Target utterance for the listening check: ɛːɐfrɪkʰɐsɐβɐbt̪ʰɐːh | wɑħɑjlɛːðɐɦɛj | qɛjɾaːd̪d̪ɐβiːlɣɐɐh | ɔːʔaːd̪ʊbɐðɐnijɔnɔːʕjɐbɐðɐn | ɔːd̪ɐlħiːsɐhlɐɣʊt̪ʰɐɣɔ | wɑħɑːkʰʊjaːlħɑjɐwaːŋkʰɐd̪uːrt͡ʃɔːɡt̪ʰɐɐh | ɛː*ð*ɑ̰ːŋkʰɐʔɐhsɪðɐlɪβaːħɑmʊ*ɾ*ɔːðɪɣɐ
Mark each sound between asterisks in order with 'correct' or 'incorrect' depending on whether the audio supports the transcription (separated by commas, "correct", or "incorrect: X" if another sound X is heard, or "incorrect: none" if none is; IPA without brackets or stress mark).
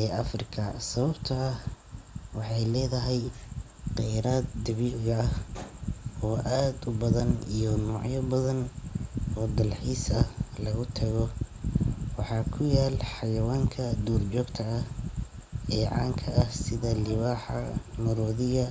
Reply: incorrect: ʕ, correct